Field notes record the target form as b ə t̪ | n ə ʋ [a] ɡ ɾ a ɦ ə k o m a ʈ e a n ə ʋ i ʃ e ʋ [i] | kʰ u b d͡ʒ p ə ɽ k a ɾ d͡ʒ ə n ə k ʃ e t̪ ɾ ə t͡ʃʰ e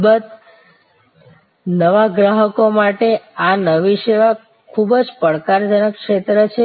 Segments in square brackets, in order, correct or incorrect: correct, incorrect

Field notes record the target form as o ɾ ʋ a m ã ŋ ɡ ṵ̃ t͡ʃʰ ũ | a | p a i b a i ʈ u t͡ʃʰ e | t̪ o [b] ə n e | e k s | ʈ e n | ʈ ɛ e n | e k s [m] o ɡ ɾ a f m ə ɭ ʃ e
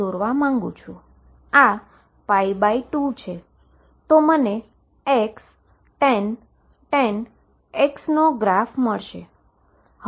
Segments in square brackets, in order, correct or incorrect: incorrect, incorrect

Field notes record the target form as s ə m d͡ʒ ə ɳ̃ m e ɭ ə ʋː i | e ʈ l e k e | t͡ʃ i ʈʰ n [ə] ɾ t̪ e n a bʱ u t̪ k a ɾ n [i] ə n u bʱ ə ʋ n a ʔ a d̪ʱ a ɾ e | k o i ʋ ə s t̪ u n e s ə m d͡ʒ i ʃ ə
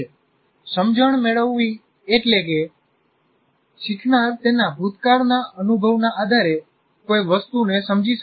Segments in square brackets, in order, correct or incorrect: incorrect, incorrect

